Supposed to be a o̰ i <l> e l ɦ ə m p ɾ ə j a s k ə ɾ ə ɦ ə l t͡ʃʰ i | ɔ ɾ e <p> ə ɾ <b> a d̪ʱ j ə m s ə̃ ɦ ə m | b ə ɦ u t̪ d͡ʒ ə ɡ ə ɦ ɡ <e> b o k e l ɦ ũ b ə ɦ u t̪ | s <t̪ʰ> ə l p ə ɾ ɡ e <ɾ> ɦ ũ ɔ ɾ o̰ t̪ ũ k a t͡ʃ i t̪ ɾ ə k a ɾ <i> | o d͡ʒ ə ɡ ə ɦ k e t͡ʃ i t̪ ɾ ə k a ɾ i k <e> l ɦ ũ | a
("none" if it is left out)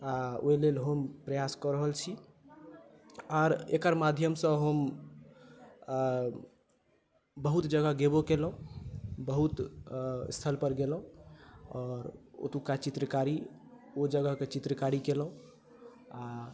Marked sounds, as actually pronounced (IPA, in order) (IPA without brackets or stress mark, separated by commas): l, k, m, e, t̪ʰ, l, i, e